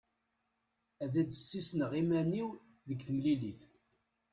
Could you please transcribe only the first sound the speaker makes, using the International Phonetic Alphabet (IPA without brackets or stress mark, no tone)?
æ